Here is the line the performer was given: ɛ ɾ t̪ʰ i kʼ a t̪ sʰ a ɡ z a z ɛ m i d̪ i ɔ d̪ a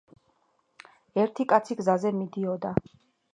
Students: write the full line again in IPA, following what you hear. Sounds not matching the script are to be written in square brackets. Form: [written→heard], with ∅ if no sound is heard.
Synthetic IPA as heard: ɛ ɾ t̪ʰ i kʼ a t̪ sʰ [a→i] ɡ z a z ɛ m i d̪ i ɔ d̪ a